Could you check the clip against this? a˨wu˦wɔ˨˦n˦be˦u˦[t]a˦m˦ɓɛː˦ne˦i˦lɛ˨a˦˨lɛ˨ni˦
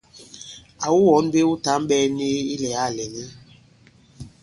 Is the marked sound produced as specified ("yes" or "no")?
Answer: yes